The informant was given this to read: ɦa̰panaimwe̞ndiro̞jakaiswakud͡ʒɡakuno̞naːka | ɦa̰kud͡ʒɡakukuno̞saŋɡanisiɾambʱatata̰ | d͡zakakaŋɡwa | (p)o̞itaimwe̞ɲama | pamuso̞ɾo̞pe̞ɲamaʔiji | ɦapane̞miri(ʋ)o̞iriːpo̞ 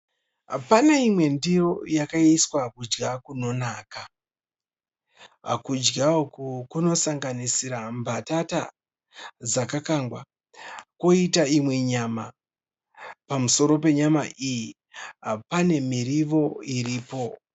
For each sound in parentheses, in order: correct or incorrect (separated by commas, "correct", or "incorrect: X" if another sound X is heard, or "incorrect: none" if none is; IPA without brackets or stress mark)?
incorrect: k, correct